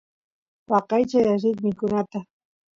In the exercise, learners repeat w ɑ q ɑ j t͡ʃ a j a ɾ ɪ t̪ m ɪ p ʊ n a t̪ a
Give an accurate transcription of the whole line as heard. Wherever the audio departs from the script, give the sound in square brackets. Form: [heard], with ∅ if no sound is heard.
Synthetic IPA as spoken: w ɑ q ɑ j t͡ʃ a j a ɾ ɪ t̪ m ɪ [k] ʊ n a t̪ a